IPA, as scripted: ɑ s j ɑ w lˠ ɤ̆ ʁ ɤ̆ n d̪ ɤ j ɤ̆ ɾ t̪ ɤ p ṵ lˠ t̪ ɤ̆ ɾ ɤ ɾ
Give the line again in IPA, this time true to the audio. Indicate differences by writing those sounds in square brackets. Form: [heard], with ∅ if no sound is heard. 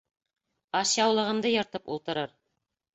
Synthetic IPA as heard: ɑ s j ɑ w lˠ ɤ̆ ʁ ɤ̆ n d̪ ɤ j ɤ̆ ɾ t̪ ɤ p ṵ lˠ t̪ ɤ̆ ɾ ɤ ɾ